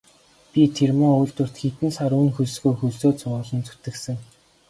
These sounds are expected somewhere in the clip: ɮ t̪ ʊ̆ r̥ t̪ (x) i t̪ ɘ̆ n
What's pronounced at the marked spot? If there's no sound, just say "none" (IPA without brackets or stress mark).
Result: x